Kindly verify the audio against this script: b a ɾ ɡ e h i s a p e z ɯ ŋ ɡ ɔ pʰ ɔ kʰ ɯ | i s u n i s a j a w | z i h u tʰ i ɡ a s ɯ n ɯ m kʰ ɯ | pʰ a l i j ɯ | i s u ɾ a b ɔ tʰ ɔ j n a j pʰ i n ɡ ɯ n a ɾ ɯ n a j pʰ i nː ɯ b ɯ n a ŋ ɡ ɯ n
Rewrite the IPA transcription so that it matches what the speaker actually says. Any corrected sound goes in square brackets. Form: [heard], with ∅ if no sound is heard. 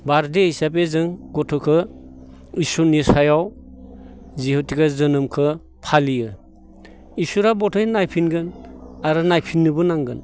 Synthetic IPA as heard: b a ɾ [d] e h i s a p e z ɯ ŋ ɡ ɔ [tʰ] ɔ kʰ ɯ | i s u n i s a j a w | z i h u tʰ i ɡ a [z] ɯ n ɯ m kʰ ɯ | pʰ a l i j ɯ | i s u ɾ a b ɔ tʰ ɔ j n a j pʰ i n ɡ ɯ n a ɾ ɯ n a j pʰ i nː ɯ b ɯ n a ŋ ɡ ɯ n